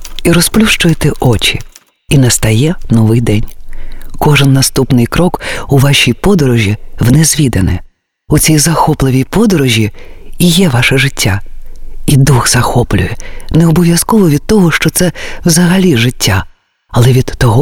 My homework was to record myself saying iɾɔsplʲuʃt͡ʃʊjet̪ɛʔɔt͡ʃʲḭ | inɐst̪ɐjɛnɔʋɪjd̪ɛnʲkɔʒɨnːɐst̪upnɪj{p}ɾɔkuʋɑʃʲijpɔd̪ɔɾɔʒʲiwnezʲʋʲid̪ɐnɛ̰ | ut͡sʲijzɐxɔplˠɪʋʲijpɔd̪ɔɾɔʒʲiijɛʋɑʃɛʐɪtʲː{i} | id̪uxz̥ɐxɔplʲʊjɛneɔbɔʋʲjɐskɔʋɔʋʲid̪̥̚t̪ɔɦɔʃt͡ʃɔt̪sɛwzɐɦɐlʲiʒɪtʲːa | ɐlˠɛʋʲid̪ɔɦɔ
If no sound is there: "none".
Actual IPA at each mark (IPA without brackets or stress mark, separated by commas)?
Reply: k, a